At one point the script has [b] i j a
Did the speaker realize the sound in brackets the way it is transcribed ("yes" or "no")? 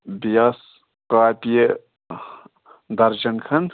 yes